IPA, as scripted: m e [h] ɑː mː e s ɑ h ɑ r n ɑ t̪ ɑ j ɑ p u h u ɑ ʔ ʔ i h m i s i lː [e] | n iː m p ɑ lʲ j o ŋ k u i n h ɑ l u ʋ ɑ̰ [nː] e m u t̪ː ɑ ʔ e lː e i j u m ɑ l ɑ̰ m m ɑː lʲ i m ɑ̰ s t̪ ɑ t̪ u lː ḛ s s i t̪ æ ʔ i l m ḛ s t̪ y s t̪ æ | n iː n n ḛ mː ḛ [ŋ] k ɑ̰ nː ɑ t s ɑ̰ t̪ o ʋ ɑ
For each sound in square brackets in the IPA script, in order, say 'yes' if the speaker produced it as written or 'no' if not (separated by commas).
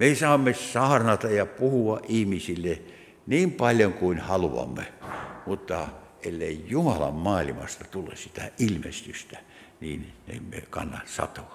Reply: no, yes, no, no